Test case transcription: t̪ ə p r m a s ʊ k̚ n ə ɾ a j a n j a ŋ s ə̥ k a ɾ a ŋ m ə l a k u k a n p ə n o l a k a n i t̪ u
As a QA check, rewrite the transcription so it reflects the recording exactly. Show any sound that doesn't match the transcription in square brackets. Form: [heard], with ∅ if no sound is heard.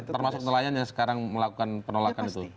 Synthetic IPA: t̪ ə [∅] r m a s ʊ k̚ n ə [l] a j a n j a ŋ s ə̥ k a ɾ a ŋ m ə l a k u k a n p ə n o l a k a n i t̪ u